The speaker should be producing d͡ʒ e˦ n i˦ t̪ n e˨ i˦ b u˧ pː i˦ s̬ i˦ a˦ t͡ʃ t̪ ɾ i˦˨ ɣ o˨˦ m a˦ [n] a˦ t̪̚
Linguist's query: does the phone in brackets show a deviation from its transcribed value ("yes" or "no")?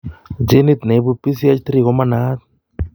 no